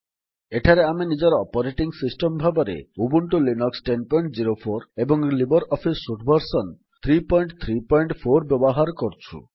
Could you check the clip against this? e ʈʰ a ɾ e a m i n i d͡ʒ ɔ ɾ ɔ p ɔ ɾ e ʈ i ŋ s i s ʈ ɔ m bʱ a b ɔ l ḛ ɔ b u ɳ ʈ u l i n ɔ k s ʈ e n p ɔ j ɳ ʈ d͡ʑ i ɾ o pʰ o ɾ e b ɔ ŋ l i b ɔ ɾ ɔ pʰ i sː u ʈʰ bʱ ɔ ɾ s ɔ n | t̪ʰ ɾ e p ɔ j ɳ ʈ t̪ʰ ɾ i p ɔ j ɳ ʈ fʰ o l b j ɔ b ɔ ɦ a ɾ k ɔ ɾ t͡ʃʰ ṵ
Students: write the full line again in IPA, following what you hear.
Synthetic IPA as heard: e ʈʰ a ɾ e a m i n i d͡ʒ ɔ ɾ ɔ p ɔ ɾ e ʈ i ŋ s i s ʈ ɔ m bʱ a b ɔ ɾ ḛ u b u ɳ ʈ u l i n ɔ k s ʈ e n p ɔ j ɳ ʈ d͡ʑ i ɾ o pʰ o ɾ e b ɔ ŋ l i b ɔ ɾ ɔ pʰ i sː u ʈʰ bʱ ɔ ɾ s ɔ n | t̪ʰ ɾ i p ɔ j ɳ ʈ t̪ʰ ɾ i p ɔ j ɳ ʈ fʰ o ɾ b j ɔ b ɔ ɦ a ɾ k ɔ ɾ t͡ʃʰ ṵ